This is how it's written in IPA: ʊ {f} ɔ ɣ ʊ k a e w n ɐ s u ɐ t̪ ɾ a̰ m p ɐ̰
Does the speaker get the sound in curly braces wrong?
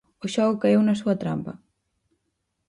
yes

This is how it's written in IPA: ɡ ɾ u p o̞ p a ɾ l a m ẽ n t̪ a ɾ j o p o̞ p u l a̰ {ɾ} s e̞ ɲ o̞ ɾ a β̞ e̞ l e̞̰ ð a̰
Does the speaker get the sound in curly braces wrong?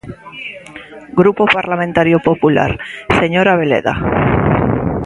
no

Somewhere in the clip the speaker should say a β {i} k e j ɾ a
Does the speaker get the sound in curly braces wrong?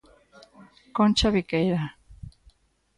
no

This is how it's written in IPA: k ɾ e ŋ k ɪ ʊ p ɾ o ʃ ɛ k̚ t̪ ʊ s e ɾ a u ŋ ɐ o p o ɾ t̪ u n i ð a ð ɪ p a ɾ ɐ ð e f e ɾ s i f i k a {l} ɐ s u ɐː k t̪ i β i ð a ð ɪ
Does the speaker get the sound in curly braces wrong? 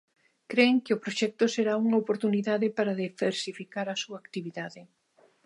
yes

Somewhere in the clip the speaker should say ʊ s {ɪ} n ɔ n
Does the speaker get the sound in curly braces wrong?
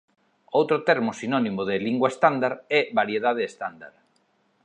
yes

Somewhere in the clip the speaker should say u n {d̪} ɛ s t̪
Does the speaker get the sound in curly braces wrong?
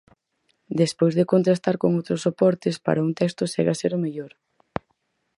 yes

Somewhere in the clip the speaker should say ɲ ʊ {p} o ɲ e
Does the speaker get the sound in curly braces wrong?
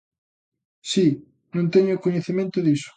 yes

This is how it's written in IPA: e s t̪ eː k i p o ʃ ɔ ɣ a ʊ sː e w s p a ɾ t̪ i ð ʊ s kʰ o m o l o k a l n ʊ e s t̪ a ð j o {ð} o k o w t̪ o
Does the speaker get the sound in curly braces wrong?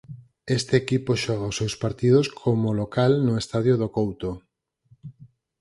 no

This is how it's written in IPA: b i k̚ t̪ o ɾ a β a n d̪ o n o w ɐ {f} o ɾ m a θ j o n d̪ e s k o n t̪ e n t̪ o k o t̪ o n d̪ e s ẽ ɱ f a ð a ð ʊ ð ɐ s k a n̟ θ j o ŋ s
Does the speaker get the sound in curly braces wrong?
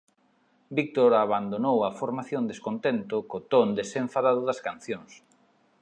no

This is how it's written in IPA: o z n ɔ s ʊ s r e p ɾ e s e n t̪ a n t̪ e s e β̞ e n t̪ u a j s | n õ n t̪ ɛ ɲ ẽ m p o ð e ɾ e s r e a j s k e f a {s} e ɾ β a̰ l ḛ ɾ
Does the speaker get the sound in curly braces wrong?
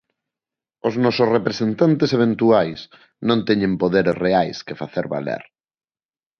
yes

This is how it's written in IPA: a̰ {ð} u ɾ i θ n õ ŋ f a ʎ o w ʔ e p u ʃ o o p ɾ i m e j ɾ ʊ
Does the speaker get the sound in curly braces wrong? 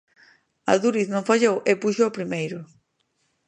no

